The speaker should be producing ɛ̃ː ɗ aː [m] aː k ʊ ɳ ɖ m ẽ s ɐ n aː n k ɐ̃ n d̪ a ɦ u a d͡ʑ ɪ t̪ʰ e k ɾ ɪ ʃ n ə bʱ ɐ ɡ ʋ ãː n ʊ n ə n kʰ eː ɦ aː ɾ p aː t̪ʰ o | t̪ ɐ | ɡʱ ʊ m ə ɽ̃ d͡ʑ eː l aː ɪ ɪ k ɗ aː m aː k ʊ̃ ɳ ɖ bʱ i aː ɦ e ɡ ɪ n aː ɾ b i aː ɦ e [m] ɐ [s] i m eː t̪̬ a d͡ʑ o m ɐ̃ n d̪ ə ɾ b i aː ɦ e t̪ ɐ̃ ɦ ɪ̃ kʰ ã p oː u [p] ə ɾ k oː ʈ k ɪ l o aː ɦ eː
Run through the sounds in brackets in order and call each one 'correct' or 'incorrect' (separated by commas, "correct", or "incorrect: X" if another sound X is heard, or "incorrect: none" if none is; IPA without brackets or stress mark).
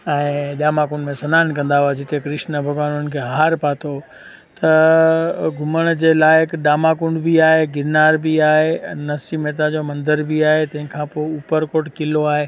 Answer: correct, incorrect: n, correct, correct